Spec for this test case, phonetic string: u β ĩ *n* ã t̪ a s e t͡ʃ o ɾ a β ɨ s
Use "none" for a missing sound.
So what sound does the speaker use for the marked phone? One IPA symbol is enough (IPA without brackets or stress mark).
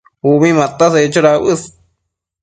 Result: m